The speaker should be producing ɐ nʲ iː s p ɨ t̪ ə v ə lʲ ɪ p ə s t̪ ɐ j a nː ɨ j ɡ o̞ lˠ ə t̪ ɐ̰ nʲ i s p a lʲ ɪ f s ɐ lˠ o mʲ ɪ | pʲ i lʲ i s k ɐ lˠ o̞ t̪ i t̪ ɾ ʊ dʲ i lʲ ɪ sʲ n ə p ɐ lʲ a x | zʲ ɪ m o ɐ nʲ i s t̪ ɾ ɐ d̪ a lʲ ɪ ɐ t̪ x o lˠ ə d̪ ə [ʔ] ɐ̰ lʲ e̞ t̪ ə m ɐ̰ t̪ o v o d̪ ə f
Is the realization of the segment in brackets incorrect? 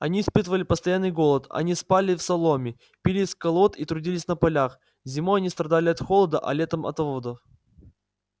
no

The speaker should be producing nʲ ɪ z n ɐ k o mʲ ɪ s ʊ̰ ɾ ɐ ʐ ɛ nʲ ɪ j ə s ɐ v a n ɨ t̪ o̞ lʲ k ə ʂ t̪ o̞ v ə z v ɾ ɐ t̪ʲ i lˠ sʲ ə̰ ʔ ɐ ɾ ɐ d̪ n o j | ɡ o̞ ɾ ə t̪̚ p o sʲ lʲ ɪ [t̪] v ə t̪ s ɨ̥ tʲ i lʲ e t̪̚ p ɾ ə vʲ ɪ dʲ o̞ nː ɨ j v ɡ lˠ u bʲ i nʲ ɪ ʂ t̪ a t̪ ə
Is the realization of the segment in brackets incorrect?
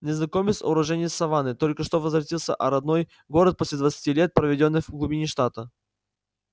yes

